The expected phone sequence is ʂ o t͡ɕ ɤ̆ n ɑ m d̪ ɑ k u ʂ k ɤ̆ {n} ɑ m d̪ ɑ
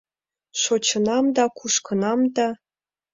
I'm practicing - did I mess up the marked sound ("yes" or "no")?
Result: no